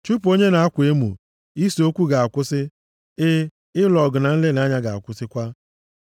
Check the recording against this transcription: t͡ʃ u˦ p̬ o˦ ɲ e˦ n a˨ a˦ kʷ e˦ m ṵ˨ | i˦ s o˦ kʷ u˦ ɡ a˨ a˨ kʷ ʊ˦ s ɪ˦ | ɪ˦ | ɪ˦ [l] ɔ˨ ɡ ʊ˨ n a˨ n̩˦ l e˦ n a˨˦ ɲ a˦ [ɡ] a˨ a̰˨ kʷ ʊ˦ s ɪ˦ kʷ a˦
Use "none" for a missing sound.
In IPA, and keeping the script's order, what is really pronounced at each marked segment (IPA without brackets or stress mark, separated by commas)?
l, ɡ